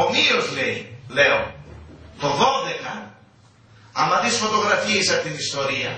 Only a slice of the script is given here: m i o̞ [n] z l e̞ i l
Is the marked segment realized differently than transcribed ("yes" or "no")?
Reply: yes